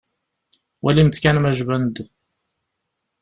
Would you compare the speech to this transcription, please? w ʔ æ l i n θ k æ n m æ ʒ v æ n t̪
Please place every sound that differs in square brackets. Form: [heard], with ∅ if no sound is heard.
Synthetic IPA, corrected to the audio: w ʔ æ l i [m] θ k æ n m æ ʒ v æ n [d̪]